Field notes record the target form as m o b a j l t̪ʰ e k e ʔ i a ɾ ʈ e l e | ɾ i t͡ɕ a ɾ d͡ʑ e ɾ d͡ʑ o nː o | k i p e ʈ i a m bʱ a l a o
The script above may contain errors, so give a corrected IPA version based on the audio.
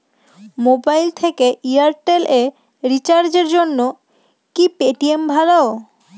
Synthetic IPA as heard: m o b a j l t̪ʰ e k e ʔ i a ɾ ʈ e l e | ɾ i t͡ɕ a ɾ d͡ʑ e ɾ d͡ʑ o nː o | k i p e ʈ i e m bʱ a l a o